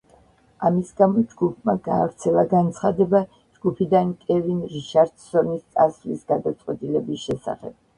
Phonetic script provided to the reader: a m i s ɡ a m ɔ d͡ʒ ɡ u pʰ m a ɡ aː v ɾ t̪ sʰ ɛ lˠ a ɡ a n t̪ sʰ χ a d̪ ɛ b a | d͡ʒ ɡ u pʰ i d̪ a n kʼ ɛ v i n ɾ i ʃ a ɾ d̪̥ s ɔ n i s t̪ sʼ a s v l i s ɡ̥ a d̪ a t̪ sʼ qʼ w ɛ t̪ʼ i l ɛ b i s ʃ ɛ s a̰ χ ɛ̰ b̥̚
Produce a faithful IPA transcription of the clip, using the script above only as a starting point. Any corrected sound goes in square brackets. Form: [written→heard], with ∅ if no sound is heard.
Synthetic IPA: a m i s ɡ a m ɔ d͡ʒ ɡ u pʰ m a ɡ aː v ɾ t̪ sʰ ɛ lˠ a ɡ a n t̪ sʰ χ a d̪ ɛ b a | d͡ʒ ɡ u pʰ i d̪ a n kʼ ɛ v i n ɾ i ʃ a ɾ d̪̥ s ɔ n i s t̪ sʼ a s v l i s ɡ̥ a d̪ a t̪ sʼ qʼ w ɛ t̪ʼ i l ɛ b i s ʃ ɛ s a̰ χ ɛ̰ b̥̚